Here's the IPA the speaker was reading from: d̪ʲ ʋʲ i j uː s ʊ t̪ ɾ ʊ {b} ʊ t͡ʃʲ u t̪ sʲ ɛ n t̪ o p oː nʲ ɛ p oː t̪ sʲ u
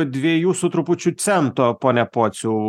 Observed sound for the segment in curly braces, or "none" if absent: p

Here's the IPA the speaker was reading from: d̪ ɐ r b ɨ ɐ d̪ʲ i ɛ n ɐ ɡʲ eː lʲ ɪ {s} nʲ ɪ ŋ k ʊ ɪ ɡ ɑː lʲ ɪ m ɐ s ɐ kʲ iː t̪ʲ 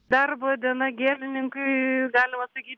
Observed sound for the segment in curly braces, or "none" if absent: none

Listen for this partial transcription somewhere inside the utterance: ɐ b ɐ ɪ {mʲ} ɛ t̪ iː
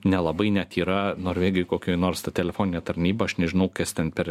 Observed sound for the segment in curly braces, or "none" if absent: nʲ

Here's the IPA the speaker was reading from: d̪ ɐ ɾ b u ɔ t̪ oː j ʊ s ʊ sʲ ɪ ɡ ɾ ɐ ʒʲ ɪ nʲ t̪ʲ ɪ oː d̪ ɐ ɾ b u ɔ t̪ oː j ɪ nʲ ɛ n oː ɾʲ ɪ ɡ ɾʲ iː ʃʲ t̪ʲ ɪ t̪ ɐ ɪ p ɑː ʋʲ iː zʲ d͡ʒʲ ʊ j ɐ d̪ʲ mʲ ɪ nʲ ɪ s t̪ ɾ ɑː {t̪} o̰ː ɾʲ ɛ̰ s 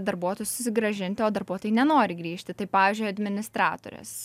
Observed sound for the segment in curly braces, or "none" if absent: t̪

